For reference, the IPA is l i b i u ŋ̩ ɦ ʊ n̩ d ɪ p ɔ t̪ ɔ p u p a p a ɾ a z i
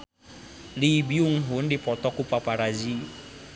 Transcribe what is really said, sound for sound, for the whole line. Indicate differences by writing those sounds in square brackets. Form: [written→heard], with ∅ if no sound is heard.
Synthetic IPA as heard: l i b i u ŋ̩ ɦ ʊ n̩ d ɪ p ɔ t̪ ɔ [p→k] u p a p a ɾ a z i